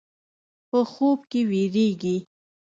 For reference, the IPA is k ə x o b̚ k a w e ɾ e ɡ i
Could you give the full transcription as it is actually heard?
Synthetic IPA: p ə x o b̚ k e w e ɾ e ɡ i